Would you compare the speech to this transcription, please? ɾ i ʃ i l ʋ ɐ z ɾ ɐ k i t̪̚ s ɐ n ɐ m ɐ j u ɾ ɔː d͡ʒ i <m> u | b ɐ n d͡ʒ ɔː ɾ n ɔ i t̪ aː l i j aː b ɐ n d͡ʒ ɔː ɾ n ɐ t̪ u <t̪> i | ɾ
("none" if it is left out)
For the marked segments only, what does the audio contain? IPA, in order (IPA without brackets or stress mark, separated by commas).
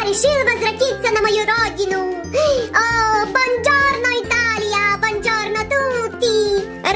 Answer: n, t̪